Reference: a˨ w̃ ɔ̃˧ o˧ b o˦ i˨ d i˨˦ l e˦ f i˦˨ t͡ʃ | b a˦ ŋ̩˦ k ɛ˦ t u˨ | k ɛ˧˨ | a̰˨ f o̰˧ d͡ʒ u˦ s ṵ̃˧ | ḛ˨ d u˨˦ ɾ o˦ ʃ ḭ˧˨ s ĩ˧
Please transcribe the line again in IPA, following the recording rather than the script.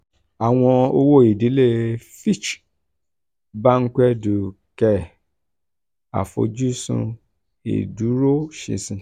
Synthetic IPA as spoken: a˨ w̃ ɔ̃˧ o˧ w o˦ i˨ d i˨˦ l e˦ f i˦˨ t͡ʃ | b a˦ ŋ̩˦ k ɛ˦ d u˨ | k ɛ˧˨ | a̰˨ f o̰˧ d͡ʒ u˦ s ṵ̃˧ | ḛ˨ d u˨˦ ɾ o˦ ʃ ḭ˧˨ s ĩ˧